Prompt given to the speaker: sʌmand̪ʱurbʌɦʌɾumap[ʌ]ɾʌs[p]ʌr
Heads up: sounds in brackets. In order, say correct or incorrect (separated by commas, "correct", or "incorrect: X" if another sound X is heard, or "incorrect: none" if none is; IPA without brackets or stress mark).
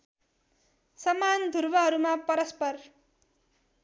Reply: correct, correct